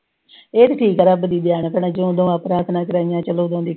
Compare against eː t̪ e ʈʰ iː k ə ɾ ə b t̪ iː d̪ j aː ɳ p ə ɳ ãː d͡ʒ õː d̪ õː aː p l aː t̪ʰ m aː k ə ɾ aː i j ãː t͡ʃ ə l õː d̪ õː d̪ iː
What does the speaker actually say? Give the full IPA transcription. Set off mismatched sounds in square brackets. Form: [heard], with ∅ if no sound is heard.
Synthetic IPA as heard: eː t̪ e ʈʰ iː k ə ɾ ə b [d̪] iː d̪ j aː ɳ p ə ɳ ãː d͡ʒ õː d̪ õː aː p [ɾ] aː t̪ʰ [n] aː k ə ɾ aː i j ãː t͡ʃ ə l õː d̪ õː d̪ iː